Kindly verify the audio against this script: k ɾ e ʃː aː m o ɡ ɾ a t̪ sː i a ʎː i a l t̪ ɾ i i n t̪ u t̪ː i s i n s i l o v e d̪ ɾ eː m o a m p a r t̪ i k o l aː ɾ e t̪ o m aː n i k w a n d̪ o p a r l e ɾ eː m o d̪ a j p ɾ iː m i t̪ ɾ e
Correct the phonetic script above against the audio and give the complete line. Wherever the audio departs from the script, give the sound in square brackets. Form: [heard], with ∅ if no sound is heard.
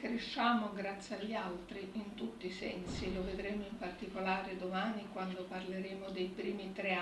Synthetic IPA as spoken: k ɾ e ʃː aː m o ɡ ɾ a t̪ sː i a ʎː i a l t̪ ɾ i i n t̪ u t̪ː i s [ɛ] n s i l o v e d̪ ɾ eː m o [i] m p a r t̪ i k o l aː ɾ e [d̪] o m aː n i k w a n d̪ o p a r l e ɾ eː m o d̪ [e] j p ɾ iː m i t̪ ɾ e